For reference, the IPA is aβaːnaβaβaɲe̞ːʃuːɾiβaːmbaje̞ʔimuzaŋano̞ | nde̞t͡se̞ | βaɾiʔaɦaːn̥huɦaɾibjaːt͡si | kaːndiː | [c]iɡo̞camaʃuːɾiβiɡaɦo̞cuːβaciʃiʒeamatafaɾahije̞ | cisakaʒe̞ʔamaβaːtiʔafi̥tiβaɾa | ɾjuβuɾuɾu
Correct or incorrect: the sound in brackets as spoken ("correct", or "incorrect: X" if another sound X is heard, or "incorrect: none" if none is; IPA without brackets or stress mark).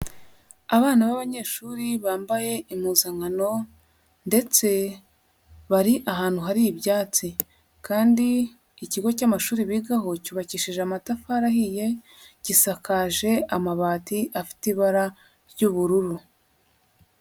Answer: correct